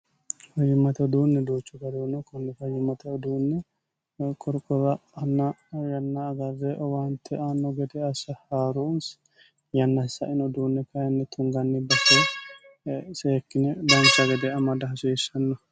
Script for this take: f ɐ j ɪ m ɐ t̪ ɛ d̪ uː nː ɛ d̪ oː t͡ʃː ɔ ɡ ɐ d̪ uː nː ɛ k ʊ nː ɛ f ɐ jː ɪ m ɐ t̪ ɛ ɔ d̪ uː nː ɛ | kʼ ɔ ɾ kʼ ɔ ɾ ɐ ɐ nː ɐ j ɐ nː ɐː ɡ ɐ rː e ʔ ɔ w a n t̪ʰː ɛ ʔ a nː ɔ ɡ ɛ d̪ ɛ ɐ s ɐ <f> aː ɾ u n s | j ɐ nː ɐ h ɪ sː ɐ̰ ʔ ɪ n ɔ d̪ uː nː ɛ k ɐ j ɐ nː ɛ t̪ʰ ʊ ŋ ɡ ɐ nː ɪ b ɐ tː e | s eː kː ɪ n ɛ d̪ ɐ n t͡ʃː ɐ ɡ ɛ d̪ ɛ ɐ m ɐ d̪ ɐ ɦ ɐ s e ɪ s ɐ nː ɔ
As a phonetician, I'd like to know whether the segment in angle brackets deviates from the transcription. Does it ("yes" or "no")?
yes